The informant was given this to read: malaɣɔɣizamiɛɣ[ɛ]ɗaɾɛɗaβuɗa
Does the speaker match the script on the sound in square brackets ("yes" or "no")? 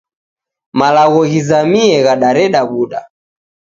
no